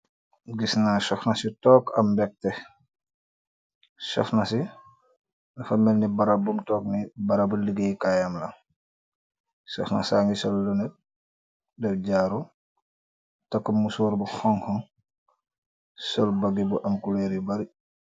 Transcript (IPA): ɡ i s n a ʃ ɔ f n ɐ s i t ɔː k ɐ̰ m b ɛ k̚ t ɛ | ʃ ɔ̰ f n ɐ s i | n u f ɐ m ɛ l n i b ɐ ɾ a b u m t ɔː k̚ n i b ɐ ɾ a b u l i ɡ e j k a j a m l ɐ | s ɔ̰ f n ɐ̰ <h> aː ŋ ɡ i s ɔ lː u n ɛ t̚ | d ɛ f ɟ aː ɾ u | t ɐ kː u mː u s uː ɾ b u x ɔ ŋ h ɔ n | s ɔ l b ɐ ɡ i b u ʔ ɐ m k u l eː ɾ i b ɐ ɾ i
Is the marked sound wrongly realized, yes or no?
yes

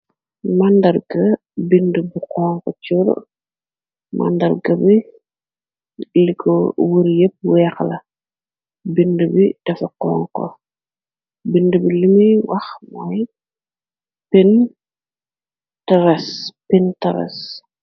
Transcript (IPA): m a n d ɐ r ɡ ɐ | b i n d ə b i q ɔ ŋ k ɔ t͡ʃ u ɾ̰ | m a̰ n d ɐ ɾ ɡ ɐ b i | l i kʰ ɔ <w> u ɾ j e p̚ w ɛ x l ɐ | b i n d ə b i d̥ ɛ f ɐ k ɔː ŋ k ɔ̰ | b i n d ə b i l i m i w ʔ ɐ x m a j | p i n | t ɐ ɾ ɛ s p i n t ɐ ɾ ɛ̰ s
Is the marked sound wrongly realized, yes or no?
no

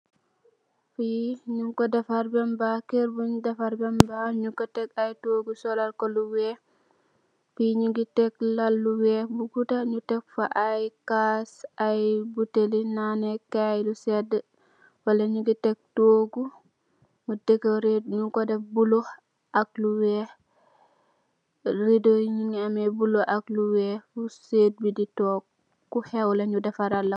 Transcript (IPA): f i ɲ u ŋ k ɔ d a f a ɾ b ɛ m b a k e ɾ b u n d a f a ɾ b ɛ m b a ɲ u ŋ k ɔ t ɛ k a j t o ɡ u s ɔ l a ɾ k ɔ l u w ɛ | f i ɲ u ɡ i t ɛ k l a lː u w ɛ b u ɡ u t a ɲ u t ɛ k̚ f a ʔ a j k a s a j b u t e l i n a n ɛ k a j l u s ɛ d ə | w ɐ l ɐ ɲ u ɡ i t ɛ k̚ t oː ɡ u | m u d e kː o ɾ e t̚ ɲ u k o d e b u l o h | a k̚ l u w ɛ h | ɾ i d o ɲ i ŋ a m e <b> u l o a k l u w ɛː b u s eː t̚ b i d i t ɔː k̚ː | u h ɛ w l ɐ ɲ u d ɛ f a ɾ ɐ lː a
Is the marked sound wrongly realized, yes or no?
no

